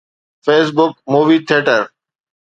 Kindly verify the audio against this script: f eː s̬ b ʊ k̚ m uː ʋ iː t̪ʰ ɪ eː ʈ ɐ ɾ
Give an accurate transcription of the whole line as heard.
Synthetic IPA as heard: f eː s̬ b ʊ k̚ m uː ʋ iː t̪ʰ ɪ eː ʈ ə ɾ